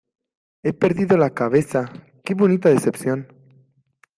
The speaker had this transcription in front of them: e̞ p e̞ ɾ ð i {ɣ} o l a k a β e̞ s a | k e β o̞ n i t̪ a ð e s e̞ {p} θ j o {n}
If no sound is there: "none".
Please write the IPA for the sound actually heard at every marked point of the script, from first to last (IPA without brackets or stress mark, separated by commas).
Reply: ð, p, n